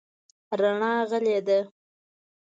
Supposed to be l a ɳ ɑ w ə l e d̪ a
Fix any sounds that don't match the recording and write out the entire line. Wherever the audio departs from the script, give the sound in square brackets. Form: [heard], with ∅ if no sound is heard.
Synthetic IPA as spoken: [ɾ] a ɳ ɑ [ɣ] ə l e d̪ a